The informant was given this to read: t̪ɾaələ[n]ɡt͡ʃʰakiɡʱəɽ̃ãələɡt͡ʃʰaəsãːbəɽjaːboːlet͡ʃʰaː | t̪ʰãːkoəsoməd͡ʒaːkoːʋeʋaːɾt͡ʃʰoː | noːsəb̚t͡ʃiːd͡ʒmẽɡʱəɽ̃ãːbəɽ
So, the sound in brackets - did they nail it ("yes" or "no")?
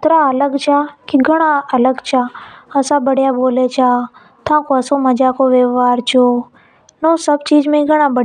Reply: no